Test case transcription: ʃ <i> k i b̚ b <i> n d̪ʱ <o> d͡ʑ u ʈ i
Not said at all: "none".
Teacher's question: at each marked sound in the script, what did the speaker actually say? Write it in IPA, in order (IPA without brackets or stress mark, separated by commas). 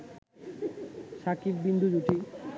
a, i, u